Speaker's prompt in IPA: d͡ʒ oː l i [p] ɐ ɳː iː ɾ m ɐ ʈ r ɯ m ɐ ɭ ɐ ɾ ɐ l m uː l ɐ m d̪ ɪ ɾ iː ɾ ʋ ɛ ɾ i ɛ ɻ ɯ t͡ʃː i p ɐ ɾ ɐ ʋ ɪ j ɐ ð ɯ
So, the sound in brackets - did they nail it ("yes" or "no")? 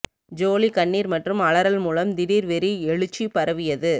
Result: no